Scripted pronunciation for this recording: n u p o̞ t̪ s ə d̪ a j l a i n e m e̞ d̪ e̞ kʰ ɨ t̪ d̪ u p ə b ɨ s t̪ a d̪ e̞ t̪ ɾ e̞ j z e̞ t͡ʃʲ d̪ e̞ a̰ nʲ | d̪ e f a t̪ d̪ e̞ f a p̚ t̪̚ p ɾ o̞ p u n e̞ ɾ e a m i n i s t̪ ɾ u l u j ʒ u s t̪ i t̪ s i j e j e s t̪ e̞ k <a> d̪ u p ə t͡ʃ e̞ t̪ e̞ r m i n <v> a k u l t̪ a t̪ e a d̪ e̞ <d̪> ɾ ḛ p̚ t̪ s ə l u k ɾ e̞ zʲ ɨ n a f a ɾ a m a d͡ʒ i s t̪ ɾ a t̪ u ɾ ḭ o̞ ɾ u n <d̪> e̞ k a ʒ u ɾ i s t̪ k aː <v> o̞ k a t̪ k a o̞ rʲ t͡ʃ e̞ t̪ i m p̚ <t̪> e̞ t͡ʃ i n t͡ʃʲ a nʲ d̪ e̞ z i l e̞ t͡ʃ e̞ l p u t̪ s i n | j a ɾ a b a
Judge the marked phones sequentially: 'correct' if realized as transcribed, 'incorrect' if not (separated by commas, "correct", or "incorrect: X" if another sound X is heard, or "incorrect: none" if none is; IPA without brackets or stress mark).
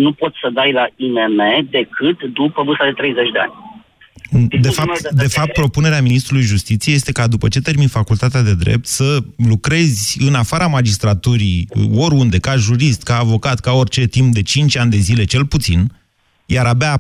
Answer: correct, incorrect: f, correct, correct, correct, incorrect: d̪